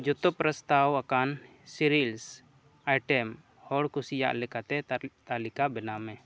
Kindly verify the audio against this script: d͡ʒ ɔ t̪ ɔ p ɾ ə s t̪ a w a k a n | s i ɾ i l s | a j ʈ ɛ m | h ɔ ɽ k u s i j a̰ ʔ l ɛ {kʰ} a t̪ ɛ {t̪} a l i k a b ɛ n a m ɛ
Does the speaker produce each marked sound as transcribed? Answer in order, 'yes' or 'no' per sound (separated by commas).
no, yes